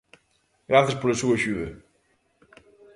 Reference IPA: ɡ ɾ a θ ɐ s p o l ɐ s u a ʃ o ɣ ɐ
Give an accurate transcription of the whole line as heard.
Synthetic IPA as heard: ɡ ɾ a θ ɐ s p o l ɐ s u ɐ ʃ u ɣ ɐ